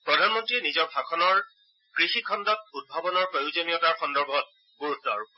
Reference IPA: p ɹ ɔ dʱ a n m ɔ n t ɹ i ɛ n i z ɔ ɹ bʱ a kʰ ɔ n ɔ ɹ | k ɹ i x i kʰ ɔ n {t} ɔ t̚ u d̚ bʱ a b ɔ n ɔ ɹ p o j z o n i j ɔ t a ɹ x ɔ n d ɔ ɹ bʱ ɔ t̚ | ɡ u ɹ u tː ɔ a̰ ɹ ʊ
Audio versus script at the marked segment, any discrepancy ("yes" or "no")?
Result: yes